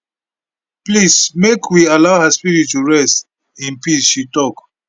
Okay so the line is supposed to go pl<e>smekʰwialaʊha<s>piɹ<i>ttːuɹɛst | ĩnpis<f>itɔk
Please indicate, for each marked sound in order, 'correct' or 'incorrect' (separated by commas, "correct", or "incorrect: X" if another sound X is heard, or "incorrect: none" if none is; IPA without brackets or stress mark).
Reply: incorrect: i, correct, correct, incorrect: ʃ